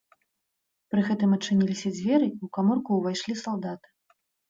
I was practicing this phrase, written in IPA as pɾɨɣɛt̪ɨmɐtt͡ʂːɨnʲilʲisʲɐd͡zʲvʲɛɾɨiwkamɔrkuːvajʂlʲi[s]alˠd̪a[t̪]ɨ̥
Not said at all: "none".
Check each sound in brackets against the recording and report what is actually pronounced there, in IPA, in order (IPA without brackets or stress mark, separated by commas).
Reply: s, t̪